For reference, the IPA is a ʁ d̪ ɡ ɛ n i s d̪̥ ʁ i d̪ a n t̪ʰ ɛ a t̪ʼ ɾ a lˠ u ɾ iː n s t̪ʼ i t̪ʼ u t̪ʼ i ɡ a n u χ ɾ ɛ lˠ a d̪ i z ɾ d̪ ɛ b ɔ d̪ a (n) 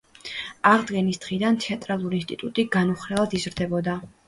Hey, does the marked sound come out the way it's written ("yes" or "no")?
no